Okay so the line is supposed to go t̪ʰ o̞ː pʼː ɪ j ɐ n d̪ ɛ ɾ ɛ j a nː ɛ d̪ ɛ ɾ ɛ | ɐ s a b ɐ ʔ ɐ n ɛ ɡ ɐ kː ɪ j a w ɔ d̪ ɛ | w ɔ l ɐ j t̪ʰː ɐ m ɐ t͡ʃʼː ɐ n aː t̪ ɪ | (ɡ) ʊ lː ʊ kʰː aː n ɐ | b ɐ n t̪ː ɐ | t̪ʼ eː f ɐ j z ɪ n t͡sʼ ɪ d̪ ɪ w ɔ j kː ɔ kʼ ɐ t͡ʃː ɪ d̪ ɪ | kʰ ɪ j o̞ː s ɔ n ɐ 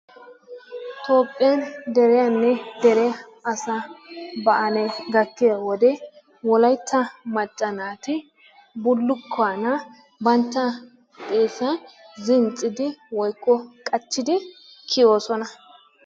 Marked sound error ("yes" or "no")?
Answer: yes